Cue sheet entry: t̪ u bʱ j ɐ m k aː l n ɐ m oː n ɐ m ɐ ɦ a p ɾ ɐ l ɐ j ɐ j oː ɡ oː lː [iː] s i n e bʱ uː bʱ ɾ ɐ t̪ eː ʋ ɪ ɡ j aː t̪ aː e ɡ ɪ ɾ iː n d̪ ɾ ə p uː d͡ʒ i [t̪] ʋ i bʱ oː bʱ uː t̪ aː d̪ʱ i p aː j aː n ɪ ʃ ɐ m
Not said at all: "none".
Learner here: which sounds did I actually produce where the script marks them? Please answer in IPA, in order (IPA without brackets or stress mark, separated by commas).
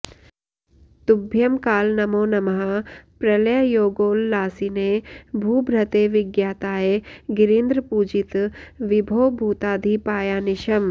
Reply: aː, t̪